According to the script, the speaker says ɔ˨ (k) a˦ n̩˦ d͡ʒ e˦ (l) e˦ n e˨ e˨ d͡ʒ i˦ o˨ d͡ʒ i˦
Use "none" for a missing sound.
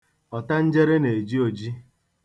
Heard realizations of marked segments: t, ɾ

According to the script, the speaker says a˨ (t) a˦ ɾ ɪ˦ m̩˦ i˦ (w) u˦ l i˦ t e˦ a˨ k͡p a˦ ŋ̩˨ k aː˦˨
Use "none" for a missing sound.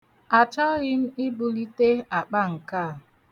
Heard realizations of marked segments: t͡ʃ, b

